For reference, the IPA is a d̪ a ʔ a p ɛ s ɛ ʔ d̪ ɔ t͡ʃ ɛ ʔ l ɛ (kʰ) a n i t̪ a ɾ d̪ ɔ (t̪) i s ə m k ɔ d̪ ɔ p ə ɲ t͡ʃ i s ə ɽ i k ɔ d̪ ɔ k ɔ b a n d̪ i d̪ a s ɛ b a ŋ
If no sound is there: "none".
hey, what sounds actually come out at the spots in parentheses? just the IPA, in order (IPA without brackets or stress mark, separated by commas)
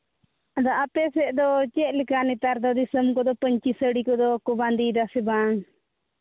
k, d̪